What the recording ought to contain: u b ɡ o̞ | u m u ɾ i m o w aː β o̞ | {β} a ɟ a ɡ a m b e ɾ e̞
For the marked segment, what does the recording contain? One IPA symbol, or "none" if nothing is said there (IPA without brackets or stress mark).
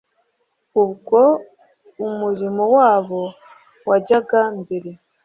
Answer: w